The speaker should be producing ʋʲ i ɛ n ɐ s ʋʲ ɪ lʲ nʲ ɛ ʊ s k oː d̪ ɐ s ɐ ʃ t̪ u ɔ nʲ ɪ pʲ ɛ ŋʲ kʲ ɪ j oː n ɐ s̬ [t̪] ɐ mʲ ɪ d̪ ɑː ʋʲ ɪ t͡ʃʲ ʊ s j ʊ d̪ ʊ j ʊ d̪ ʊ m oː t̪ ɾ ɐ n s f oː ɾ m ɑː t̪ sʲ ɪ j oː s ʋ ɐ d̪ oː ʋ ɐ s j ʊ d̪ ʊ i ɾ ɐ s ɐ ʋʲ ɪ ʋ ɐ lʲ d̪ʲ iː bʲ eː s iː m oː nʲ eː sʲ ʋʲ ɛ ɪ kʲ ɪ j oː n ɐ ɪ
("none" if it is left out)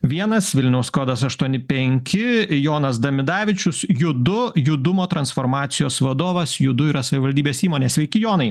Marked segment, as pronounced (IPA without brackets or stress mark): d̪